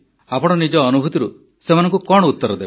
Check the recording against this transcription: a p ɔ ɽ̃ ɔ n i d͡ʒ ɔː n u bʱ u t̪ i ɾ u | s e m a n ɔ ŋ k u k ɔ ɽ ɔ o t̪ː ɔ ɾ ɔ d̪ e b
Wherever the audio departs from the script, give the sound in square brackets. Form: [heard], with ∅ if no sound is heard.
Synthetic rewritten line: a p ɔ ɽ̃ ɔ n i d͡ʒ ɔː n u bʱ u t̪ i ɾ u | s e m a n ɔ ŋ k u k ɔ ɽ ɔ [u] t̪ː ɔ ɾ ɔ d̪ e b